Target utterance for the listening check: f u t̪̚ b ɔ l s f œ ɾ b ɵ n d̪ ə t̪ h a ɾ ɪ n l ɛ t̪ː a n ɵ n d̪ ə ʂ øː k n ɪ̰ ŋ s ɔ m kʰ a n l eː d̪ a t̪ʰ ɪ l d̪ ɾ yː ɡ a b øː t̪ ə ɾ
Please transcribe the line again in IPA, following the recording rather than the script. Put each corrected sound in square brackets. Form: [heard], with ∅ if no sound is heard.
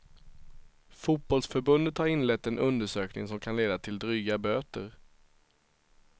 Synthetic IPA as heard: f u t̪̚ b ɔ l s f œ ɾ b ɵ n d̪ ə t̪ h a ɾ ɪ n l ɛ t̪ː [ɛ] n ɵ n d̪ ə ʂ øː k n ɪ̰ ŋ s ɔ m kʰ a n l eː d̪ a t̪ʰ ɪ l d̪ ɾ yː ɡ a b øː t̪ ə ɾ